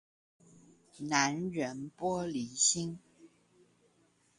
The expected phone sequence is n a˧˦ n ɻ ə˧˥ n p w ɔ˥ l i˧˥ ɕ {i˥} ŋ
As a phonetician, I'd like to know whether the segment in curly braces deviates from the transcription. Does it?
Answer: no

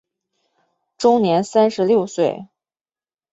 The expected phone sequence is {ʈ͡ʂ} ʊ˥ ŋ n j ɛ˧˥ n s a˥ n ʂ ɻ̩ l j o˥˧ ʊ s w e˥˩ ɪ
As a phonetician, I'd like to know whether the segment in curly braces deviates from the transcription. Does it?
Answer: no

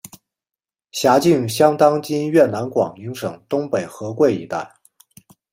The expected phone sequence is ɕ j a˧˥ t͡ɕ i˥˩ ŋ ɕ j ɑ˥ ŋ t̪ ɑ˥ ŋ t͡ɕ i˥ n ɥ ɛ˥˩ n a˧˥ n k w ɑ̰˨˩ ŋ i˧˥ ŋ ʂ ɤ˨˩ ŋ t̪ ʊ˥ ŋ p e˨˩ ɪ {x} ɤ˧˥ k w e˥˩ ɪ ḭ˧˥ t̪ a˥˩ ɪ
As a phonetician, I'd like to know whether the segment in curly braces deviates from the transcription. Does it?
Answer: no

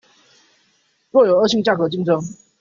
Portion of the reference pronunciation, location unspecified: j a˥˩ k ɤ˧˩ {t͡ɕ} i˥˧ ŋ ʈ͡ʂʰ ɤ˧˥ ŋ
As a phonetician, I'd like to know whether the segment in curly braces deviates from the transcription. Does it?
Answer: no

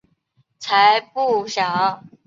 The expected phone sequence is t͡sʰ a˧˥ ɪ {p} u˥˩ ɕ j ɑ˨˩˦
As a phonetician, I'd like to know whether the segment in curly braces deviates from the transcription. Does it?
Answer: no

